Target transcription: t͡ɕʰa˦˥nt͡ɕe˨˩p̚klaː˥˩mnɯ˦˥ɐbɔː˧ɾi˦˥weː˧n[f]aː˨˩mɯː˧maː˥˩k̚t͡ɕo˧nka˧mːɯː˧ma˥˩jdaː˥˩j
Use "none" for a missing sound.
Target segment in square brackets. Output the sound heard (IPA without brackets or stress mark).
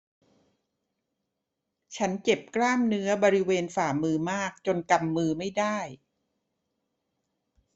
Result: f